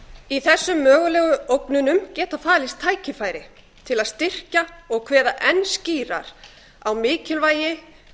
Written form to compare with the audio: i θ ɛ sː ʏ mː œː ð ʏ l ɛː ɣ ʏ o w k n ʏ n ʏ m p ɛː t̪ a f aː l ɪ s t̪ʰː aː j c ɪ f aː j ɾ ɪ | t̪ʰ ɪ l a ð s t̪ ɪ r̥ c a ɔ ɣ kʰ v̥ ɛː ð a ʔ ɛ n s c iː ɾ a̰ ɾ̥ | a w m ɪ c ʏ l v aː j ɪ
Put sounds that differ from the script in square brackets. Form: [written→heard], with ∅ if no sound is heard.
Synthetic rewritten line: i θ ɛ sː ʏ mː œː [ð→ɣ] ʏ l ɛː ɣ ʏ o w k n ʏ n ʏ m [p→c] ɛː t̪ a f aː l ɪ s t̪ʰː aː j c ɪ f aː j ɾ ɪ | t̪ʰ ɪ l a ð s t̪ ɪ r̥ c a ɔ ɣ kʰ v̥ ɛː ð a ʔ ɛ n s c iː ɾ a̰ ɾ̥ | a w m [ɪ→ɪː] c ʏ l v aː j ɪ

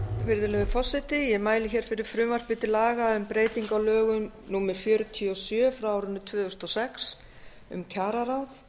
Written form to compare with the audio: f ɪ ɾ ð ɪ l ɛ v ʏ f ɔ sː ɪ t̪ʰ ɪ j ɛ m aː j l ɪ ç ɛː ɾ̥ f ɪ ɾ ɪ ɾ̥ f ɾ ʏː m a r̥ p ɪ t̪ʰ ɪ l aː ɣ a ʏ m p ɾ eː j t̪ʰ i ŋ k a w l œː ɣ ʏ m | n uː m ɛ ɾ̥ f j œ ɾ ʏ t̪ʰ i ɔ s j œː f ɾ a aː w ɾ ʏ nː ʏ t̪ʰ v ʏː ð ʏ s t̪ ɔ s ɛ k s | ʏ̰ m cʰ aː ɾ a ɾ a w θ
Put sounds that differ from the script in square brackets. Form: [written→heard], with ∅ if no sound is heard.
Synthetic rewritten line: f ɪ ɾ ð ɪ l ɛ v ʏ f ɔ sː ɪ [t̪ʰ→t̪] ɪ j ɛ m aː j l ɪ ç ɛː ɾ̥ f ɪ ɾ ɪ ɾ̥ f ɾ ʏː m a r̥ p ɪ [t̪ʰ→t̪] ɪ l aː ɣ a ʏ m p ɾ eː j [t̪ʰ→t̪] i ŋ k a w l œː ɣ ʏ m | n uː m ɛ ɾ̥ f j œ ɾ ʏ t̪ʰ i ɔ s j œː f ɾ a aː w ɾ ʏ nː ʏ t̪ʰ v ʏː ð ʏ s t̪ ɔ s ɛ k s | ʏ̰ m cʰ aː ɾ a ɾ a w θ

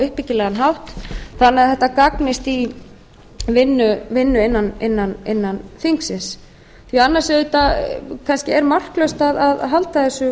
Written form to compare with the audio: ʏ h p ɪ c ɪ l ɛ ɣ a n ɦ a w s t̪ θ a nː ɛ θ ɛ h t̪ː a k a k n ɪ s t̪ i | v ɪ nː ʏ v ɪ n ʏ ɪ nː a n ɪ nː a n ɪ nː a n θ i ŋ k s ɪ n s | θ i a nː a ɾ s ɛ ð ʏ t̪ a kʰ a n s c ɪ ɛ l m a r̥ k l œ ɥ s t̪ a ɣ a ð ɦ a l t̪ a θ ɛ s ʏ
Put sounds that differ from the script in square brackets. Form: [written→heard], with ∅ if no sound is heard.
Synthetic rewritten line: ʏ h p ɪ c ɪ l ɛ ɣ a n ɦ a w [s→h] t̪ θ a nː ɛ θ ɛ h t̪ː a k a k n ɪ s t̪ i | v ɪ nː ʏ v ɪ [n→nː] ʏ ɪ nː a n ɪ nː a n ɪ nː a n θ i ŋ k s ɪ n s | θ i a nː a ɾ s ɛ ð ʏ t̪ a kʰ a n s c ɪ ɛ [l→ɾ] m a r̥ k l œ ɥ s t̪ a [ɣ→ð] a ð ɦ a l t̪ a θ ɛ s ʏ

